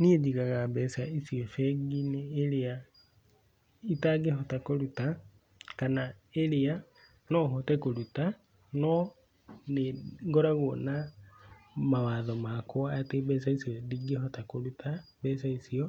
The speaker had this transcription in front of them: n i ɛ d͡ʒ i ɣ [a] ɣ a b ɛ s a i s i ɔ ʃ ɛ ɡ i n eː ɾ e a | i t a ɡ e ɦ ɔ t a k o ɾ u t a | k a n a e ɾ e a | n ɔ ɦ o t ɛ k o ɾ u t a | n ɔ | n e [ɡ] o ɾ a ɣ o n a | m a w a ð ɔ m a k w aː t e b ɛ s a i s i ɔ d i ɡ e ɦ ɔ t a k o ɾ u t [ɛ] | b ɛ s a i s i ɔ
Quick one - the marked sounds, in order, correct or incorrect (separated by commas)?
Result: correct, correct, incorrect